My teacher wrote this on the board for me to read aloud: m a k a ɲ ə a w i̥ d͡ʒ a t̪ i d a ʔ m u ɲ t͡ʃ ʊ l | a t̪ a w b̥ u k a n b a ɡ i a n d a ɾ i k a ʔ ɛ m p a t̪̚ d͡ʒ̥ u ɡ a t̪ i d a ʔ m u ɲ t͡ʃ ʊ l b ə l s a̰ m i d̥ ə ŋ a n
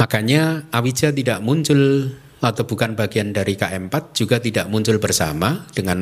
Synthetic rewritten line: m a k a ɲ a a w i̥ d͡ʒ a t̪ i d a ʔ m u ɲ t͡ʃ ʊ l | a t̪ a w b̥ u k a n b a ɡ i a n d a ɾ i k a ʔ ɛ m p a t̪̚ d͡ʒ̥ u ɡ a t̪ i d a ʔ m u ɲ t͡ʃ ʊ l b ə r s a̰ m a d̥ ə ŋ a n